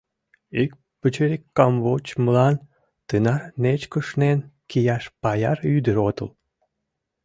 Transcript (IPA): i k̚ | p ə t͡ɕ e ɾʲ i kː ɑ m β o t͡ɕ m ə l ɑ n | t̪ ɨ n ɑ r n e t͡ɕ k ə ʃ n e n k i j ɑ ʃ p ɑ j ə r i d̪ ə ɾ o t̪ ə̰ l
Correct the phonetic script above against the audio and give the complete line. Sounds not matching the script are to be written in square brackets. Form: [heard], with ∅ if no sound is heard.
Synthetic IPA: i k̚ | p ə t͡ɕ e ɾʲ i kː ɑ m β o t͡ɕ m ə l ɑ n | t̪ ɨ n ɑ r n e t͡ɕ k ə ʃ n e n k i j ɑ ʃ p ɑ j [ɑ] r [y] d̪ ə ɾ o t̪ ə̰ l